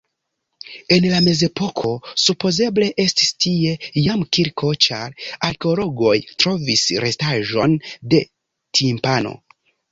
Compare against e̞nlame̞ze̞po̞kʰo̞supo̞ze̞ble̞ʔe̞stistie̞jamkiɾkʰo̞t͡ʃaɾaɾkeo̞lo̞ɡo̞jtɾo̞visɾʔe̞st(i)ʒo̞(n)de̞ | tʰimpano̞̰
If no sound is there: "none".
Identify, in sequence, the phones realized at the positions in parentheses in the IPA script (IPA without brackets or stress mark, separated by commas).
a, n